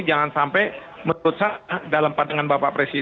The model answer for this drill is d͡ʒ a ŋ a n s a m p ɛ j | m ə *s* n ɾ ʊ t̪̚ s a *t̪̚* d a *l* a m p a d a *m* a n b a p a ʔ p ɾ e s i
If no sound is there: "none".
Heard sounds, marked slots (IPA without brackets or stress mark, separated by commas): none, none, l, ŋ